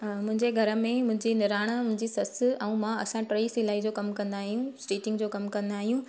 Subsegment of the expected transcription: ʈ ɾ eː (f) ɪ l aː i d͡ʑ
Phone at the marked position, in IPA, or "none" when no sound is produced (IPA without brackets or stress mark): s